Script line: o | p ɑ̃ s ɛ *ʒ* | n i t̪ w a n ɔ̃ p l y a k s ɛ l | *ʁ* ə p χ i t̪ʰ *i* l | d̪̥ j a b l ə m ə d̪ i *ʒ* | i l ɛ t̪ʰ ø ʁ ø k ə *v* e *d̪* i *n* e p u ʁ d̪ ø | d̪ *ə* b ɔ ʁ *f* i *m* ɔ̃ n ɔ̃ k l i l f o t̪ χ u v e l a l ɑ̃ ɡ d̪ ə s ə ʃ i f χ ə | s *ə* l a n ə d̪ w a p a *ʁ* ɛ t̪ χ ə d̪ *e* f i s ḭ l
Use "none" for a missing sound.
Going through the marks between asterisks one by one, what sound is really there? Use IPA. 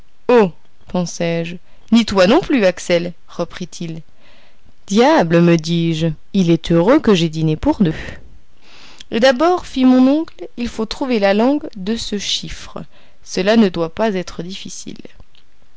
ʒ, ʁ, i, ʒ, ʒ, d̪, n, a, f, m, ə, z, i

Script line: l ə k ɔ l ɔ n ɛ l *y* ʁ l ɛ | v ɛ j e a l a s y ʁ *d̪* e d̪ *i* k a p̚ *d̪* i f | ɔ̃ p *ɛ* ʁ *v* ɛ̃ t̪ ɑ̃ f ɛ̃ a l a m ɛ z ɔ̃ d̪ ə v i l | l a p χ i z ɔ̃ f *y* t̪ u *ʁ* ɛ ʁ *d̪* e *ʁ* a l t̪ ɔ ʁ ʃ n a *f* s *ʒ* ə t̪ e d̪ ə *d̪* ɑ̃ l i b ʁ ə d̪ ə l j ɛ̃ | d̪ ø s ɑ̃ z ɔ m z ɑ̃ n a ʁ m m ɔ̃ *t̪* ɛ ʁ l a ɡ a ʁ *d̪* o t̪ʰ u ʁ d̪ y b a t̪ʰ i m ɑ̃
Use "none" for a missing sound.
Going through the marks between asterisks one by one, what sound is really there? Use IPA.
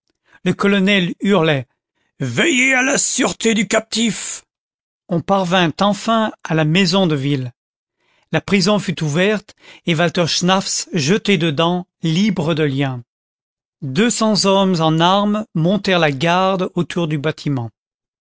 y, t̪, y, t̪, a, v, y, v, t̪, v, f, ʒ, d̪, t̪, d̪

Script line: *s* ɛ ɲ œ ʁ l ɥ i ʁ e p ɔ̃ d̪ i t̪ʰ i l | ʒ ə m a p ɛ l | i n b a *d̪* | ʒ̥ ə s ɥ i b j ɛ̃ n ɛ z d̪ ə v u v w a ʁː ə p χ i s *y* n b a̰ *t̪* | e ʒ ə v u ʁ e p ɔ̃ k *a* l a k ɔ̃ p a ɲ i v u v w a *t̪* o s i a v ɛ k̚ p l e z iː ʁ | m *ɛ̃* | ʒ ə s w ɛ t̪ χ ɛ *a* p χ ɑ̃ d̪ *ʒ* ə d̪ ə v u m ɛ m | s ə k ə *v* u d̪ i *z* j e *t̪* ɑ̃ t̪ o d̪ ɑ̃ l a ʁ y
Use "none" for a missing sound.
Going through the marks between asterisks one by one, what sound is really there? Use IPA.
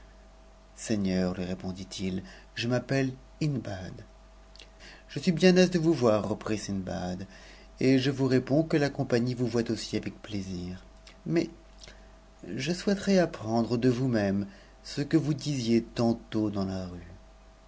s, d̪, i, d̪, ə, t̪, ɛ, a, ʁ, v, z, t̪

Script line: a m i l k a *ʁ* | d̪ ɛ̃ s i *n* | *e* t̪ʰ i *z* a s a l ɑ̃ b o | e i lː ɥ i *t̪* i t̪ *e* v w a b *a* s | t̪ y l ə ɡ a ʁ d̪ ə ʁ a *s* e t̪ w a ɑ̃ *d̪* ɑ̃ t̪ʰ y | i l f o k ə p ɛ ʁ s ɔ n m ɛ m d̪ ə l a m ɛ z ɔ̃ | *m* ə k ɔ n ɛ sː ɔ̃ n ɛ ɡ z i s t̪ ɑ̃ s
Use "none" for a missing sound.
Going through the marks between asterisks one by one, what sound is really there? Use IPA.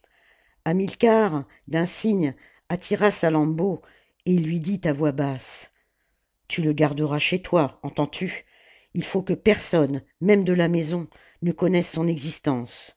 ʁ, ɲ, a, ʁ, d̪, a, a, ʃ, t̪, n

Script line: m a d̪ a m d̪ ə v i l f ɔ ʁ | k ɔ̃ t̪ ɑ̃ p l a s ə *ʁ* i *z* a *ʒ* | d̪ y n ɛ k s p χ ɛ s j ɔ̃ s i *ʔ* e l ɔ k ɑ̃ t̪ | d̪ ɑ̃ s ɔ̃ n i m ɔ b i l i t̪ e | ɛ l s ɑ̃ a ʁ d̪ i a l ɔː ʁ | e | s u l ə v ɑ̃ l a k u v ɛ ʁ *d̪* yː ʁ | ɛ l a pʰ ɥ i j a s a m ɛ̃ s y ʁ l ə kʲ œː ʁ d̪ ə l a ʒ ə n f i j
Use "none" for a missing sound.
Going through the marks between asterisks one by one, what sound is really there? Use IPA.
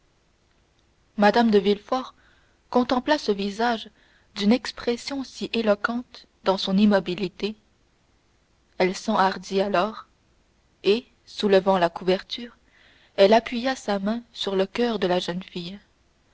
v, z, ʒ, ʔ, t̪

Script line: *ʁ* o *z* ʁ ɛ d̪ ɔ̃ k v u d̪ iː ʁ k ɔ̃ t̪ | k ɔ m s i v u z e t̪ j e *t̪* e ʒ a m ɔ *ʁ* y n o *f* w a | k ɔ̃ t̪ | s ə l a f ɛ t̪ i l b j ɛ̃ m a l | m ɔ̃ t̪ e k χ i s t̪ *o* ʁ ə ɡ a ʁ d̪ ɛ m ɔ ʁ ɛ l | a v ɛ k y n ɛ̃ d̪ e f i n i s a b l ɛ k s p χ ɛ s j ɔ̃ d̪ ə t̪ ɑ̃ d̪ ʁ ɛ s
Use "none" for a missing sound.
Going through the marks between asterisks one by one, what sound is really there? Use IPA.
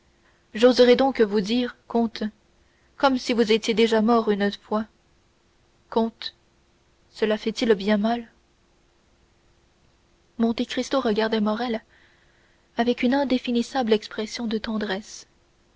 ʒ, z, d̪, ʁ, f, o

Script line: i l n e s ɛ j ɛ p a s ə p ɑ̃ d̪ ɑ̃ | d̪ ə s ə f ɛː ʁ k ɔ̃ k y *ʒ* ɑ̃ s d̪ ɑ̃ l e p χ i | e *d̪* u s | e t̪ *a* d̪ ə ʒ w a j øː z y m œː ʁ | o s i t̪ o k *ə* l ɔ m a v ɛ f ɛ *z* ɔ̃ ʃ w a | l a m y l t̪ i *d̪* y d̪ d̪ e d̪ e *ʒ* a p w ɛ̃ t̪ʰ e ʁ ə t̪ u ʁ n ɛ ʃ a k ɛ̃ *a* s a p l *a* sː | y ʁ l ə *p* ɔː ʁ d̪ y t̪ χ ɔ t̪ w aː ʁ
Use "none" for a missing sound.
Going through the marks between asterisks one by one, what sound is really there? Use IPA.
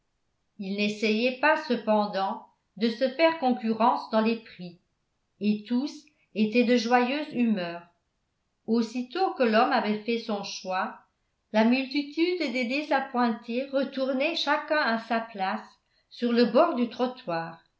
ʁ, t̪, ɛ, ə, s, t̪, z, a, a, b

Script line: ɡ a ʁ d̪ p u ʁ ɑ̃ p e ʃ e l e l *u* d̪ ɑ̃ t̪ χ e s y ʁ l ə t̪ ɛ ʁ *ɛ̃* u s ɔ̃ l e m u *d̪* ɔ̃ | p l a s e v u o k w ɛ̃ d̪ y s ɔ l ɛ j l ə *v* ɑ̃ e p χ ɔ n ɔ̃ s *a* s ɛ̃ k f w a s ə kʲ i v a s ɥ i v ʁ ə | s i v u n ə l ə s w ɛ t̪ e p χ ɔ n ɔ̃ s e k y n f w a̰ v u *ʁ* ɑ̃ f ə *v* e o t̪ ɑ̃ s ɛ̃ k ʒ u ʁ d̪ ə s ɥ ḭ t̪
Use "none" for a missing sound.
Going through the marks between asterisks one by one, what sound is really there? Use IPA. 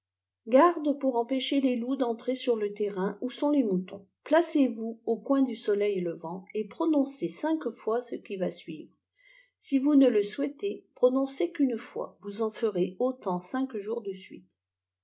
u, ɛ̃, t̪, v, e, z, ʁ

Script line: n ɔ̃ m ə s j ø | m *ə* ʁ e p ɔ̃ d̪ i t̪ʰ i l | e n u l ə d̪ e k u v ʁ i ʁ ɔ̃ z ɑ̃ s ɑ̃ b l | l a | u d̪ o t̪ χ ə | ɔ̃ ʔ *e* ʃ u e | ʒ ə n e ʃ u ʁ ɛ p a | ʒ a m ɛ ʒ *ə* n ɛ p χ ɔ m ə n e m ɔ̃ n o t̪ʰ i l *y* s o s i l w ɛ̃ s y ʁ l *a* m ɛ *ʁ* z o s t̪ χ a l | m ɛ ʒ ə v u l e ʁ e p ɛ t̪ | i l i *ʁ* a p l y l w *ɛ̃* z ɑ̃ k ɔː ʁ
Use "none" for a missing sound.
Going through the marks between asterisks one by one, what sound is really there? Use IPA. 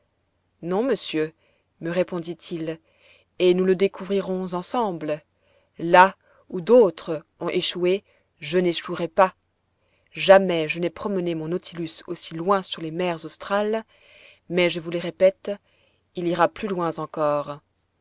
ə, e, ə, y, e, ʁ, ʁ, ɛ̃

